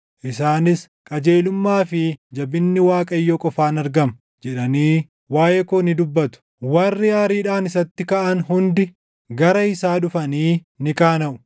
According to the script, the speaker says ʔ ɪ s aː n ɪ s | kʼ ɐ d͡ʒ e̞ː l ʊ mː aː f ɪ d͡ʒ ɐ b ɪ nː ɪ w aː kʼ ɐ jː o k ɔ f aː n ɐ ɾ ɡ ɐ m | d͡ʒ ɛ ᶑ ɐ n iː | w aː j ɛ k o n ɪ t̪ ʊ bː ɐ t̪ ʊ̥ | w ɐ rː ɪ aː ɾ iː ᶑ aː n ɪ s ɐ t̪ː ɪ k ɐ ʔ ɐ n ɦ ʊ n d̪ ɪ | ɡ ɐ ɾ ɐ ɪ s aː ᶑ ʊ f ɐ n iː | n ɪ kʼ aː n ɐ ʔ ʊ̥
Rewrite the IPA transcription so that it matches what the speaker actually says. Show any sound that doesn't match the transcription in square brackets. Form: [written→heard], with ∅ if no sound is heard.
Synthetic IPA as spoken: ʔ ɪ s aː n ɪ s | kʼ ɐ d͡ʒ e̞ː l ʊ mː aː f ɪ d͡ʒ ɐ b ɪ nː ɪ w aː kʼ ɐ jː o [k→kʼ] ɔ f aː n ɐ ɾ ɡ ɐ m | d͡ʒ ɛ ᶑ ɐ n iː | w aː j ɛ k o n ɪ [t̪→d̪] ʊ bː ɐ t̪ ʊ̥ | w ɐ rː ɪ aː ɾ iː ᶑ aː n ɪ s ɐ t̪ː ɪ k ɐ ʔ ɐ n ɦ ʊ n d̪ ɪ | ɡ ɐ ɾ ɐ ɪ s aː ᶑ ʊ f ɐ n iː | n ɪ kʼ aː n ɐ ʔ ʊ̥

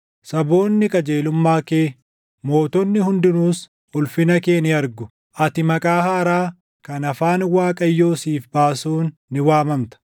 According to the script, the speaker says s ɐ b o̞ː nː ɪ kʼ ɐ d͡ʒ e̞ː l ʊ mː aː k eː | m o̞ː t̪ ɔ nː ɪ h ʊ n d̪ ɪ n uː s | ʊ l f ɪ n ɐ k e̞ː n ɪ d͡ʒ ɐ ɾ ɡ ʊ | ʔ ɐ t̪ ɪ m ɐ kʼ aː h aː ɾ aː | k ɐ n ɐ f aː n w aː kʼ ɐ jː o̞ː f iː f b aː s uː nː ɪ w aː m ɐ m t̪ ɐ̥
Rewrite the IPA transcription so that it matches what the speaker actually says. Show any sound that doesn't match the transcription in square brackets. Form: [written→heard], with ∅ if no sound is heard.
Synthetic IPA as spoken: s ɐ b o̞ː nː ɪ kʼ ɐ d͡ʒ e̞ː l ʊ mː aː k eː | m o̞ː t̪ ɔ nː ɪ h ʊ n d̪ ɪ n uː s | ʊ l f ɪ n ɐ k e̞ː n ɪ [d͡ʒ→∅] ɐ ɾ ɡ ʊ | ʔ ɐ t̪ ɪ m ɐ kʼ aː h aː ɾ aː | k ɐ n ɐ f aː n w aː kʼ ɐ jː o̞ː [f→s] iː f b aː s uː nː ɪ w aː m ɐ m t̪ ɐ̥

